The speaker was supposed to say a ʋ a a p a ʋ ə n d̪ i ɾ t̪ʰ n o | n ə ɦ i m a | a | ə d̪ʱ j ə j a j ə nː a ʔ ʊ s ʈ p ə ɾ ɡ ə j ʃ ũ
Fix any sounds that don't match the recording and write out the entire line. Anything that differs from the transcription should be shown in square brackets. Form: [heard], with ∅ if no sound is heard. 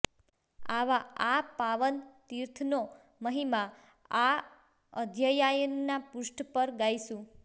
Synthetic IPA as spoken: a ʋ a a p a ʋ ə n [t̪] i ɾ t̪ʰ n o | [m] ə ɦ i m a | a | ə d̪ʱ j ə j a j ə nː a [p] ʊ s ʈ p ə ɾ ɡ [a] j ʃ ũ